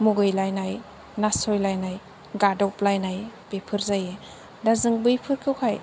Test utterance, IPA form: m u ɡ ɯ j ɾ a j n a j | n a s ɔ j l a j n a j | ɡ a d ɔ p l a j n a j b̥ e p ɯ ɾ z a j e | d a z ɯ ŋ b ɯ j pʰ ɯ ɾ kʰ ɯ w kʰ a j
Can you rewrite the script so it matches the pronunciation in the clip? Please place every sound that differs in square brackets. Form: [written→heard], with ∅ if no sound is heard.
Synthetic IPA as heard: m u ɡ ɯ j [ɾ→l] a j n a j | n a s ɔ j l a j n a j | ɡ a d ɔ p l a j n a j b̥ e [p→pʰ] ɯ ɾ z a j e | d a z ɯ ŋ b ɯ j pʰ ɯ ɾ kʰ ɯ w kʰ a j